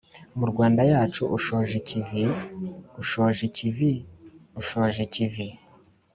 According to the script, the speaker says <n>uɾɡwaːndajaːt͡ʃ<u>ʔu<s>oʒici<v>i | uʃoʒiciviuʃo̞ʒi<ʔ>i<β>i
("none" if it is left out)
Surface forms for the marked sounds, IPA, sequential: m, u, ʃ, v, c, v

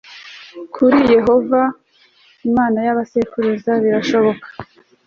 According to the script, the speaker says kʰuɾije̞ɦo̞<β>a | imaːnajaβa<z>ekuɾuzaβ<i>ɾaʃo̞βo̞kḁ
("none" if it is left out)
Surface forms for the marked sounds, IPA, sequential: v, s, i

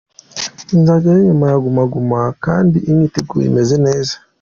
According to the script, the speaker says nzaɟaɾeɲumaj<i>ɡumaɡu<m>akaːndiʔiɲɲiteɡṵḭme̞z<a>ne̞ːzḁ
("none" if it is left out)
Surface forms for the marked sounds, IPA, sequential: a, m, e

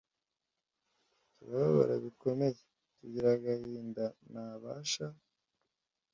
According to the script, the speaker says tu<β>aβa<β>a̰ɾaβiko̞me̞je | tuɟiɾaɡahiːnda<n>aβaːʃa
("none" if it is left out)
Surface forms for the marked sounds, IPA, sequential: β, β, n

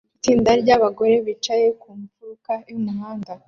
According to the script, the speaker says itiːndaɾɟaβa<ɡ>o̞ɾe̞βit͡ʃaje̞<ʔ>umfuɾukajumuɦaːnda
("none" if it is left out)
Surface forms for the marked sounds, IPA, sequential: ɡ, k

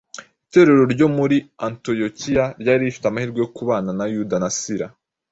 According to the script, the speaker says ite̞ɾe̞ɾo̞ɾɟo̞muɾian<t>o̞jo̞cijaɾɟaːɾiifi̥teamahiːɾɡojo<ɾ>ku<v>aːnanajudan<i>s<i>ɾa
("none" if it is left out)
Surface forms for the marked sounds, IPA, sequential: t, none, β, a, i

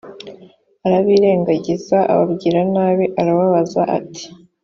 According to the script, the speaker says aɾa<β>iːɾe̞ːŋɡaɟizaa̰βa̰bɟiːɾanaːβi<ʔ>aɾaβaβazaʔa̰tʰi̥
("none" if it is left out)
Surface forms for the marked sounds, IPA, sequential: β, ʔ

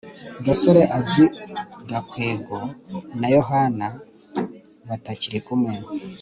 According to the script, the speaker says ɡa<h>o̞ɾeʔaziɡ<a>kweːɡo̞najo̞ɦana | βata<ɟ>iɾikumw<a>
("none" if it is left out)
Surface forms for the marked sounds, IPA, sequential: s, a, c, e

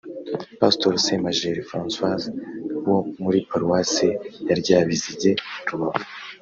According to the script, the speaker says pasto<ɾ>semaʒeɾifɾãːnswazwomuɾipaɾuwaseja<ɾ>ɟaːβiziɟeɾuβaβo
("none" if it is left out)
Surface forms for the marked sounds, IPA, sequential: ɾ, ɾ

